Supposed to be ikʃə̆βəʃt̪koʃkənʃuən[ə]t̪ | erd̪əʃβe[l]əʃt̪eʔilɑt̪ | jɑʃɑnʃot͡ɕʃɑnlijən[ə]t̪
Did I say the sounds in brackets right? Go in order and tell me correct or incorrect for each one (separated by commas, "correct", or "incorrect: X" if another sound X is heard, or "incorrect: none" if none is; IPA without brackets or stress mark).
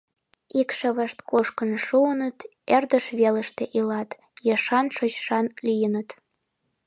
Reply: correct, correct, correct